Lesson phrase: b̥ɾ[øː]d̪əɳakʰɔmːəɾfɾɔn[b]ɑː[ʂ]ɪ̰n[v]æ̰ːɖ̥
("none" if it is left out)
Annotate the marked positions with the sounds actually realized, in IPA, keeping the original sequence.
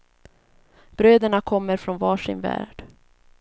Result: øː, v, ʂ, v

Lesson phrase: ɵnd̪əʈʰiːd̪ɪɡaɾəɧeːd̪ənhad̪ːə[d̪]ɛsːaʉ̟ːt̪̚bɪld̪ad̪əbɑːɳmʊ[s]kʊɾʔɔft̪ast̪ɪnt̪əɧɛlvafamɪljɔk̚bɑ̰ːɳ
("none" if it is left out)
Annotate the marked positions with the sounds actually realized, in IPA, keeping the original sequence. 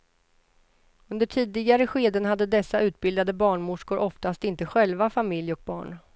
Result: d̪, ʂ

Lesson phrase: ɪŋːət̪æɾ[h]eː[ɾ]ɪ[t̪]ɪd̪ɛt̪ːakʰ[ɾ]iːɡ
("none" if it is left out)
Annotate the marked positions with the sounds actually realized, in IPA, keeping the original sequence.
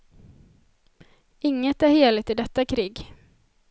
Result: h, l, t̪, ɾ

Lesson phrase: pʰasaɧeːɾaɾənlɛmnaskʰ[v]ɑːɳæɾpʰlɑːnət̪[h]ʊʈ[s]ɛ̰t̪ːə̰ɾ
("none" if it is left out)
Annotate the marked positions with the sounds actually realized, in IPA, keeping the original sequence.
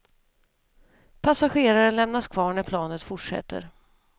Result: v, f, ʂ

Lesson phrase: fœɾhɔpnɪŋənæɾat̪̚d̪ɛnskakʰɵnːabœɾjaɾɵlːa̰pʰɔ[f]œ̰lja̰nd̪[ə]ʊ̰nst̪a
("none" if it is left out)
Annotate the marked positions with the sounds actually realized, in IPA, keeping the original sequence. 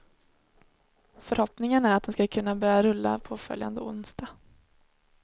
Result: f, ə

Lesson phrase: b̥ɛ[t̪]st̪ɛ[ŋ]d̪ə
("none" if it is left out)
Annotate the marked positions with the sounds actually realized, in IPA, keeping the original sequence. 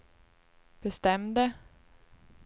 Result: none, m

